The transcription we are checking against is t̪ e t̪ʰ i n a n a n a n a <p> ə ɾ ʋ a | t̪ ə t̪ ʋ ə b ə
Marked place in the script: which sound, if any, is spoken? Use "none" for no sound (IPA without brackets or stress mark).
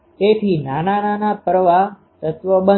p